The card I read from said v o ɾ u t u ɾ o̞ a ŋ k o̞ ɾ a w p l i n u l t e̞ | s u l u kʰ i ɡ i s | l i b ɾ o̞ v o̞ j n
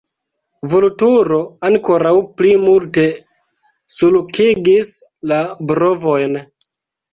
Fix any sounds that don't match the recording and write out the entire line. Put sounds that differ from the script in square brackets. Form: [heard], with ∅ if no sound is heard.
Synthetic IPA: v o [l] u t u ɾ o̞ a ŋ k o̞ ɾ a w p l i [m] u l t e̞ | s u l u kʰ i ɡ i s | l [a] b ɾ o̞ v o̞ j n